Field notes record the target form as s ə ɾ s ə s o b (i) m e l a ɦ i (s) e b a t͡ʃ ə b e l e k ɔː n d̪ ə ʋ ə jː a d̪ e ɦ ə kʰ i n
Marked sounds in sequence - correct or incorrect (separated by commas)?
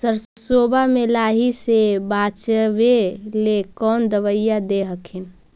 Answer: incorrect, correct